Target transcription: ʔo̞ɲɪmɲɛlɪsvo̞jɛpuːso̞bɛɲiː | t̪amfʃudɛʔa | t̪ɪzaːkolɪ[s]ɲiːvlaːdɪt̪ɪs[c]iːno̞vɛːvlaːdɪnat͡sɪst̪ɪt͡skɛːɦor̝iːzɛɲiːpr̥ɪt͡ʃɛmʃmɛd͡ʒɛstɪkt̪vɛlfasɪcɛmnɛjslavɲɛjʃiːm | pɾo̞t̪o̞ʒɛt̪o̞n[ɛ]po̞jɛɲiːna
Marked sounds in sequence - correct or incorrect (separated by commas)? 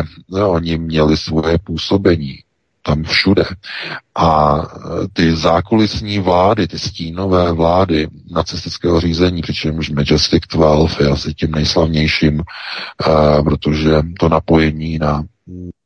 correct, correct, incorrect